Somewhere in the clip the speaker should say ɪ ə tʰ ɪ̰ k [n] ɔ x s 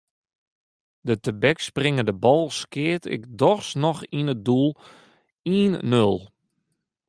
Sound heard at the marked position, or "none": d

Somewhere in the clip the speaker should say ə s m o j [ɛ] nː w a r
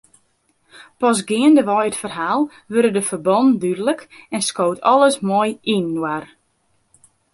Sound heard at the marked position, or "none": i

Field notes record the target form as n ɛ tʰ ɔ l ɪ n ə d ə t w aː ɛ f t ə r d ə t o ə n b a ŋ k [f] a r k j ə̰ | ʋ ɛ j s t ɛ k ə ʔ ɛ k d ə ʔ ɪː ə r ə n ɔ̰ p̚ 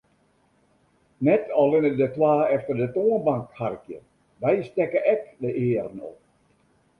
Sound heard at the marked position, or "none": h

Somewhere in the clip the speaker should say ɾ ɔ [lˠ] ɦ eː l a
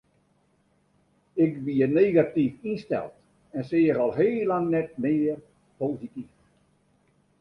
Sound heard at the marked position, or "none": lˠ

